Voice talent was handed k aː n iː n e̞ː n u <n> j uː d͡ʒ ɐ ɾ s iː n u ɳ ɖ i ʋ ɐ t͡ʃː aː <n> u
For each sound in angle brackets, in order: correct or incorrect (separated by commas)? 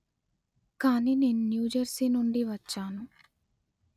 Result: correct, correct